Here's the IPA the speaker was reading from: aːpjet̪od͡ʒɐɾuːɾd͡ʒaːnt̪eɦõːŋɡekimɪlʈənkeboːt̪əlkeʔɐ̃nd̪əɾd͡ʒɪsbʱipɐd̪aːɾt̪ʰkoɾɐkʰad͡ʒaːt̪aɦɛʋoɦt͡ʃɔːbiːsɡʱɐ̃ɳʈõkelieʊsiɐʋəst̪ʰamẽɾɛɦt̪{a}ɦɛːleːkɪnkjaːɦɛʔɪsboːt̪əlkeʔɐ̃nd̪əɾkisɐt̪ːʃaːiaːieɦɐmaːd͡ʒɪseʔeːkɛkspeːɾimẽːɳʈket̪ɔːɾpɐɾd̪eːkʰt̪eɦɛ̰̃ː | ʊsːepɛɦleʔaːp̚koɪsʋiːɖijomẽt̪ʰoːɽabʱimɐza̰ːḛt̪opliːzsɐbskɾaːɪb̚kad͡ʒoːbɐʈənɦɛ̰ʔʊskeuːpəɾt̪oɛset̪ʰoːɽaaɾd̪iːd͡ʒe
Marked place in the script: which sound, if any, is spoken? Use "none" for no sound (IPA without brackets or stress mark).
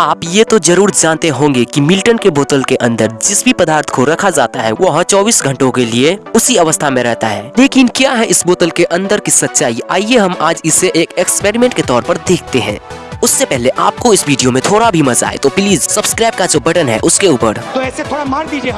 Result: a